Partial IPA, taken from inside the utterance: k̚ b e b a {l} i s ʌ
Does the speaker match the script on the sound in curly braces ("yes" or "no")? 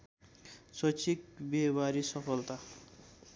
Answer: no